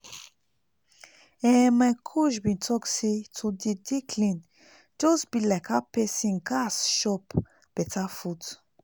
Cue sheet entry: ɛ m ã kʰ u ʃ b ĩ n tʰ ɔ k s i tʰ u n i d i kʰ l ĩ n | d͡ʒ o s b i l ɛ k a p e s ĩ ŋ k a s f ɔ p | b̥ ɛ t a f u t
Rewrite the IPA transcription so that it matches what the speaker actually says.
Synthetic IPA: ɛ m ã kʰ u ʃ b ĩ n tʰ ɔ k s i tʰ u d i d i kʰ l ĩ n | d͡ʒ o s b i l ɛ k a p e s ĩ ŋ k a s ʃ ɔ p | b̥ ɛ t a f u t